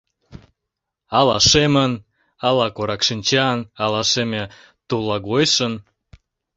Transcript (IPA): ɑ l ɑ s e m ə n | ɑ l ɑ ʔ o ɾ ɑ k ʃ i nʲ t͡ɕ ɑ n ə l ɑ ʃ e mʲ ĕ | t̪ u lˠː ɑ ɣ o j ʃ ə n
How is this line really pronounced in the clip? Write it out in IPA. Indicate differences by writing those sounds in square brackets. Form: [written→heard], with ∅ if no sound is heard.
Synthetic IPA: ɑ l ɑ [s→ʃ] e m ə n | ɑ l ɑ [ʔ→k] o ɾ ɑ k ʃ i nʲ t͡ɕ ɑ n [ə→ɑ] l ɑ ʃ e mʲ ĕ | t̪ u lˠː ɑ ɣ o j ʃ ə n